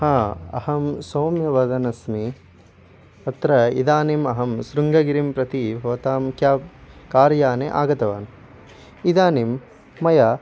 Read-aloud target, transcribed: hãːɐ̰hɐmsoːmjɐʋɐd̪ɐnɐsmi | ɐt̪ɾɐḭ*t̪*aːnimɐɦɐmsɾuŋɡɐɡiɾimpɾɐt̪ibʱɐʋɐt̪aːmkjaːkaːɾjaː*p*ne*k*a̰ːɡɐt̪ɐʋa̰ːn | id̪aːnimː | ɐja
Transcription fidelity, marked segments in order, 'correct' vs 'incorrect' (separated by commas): incorrect, incorrect, incorrect